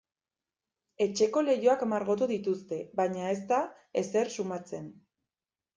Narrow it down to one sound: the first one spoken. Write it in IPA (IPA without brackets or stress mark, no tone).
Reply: e̞